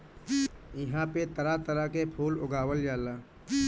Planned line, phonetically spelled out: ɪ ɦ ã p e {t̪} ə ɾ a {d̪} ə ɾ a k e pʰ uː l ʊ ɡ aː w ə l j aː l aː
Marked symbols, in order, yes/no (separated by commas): yes, no